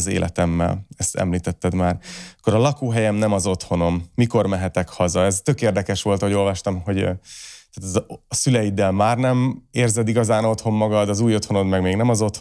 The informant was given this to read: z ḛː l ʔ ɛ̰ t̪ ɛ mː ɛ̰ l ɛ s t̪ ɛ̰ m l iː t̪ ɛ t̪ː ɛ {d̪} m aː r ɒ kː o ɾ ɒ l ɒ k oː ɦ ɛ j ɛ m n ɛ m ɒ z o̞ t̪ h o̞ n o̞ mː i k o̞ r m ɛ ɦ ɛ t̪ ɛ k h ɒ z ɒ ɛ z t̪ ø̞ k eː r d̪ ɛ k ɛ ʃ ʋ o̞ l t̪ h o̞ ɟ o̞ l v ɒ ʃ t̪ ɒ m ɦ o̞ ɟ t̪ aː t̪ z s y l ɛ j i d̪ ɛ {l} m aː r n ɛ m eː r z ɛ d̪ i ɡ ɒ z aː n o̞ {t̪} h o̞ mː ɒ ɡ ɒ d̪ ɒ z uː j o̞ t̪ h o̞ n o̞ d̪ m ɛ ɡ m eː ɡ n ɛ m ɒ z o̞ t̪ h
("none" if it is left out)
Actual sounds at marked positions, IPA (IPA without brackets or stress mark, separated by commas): d̪, l, t̪